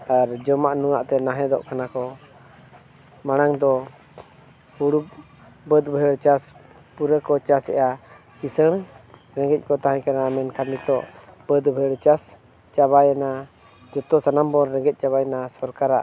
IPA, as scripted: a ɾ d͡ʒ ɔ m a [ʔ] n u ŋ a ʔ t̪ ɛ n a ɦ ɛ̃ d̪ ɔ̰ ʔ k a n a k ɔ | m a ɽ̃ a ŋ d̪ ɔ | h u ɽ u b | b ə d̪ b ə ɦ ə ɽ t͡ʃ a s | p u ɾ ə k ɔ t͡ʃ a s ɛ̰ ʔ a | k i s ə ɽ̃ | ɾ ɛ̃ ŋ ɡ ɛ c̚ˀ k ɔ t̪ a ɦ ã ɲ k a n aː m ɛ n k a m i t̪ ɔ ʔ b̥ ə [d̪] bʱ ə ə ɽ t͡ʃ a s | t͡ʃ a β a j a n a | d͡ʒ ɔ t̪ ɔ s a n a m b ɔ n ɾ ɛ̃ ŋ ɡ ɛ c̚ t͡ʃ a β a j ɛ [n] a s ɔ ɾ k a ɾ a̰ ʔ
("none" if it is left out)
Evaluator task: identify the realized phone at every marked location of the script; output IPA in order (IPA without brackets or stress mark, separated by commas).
ʔ, d̪, n